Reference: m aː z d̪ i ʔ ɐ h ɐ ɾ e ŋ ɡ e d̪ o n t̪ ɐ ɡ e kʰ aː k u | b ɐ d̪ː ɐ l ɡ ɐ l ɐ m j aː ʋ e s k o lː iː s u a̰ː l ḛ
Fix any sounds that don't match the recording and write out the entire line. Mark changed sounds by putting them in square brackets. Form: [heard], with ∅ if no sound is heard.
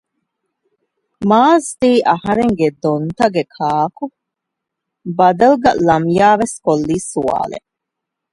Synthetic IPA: m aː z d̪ [iː] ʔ ɐ h ɐ ɾ e ŋ ɡ e d̪ o n t̪ ɐ ɡ e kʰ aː k u | b ɐ [d̪] ɐ l ɡ ɐ l ɐ m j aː ʋ e s k o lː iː s u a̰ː l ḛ